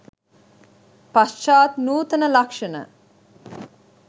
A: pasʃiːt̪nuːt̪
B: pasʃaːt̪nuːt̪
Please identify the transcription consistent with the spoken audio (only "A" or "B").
B